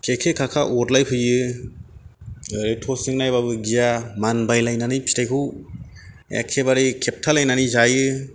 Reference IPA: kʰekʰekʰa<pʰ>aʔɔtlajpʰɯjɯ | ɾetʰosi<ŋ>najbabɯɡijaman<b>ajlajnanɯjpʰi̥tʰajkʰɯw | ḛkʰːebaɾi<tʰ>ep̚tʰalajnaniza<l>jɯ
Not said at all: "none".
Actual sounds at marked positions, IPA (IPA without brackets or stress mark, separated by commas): kʰ, ŋ, b, kʰ, none